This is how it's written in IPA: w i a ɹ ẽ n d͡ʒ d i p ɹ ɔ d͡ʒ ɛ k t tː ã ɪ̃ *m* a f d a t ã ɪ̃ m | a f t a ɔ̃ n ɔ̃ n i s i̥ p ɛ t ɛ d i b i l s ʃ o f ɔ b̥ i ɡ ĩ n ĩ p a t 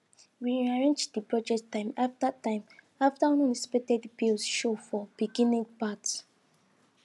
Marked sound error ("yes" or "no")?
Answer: no